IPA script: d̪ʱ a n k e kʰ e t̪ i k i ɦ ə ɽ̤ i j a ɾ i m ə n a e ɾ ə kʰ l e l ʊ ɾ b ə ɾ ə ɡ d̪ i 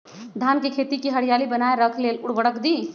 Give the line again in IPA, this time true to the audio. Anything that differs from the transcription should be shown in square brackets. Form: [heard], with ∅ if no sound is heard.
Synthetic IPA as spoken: d̪ʱ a n k e kʰ e t̪ i k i ɦ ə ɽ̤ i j a [l] i [b] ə n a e ɾ ə kʰ l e l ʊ [ɽ] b ə [ɽ] ə [k] d̪ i